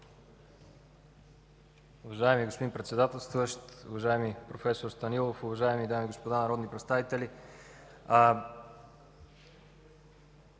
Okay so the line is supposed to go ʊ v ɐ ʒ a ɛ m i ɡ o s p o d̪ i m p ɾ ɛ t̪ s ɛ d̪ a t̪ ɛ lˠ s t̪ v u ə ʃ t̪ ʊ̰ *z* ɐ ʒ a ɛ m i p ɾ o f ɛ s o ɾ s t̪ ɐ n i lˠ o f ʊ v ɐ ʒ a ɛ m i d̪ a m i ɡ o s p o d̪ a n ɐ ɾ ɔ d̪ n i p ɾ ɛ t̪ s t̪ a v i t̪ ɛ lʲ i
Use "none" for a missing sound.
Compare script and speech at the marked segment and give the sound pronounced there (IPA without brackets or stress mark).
v